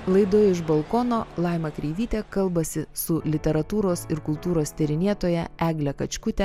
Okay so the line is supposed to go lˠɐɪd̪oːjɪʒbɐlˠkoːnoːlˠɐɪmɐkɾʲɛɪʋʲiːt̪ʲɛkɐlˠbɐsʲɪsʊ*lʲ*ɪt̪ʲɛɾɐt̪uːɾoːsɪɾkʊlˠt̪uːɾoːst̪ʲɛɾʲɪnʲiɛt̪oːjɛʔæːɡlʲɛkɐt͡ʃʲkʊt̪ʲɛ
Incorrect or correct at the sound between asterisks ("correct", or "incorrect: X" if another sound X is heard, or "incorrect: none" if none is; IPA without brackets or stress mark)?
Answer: correct